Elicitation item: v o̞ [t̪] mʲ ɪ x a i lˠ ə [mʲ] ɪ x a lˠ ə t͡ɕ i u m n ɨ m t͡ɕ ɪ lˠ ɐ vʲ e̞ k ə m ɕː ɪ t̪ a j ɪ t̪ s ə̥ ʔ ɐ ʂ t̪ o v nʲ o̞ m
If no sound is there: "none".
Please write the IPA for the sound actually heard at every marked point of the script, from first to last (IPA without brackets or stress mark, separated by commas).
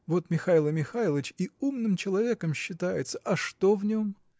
t̪, mʲ